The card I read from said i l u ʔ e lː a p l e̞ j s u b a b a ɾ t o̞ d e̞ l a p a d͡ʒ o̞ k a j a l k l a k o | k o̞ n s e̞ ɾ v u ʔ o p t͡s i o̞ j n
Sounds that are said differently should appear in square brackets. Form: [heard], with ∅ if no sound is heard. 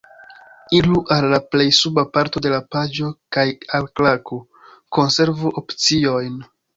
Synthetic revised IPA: i l u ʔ [a] lː a p l e̞ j s u b a [p] a ɾ t o̞ d e̞ l a p a d͡ʒ o̞ k a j a l k l a k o | k o̞ n s e̞ ɾ v u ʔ o p t͡s i o̞ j n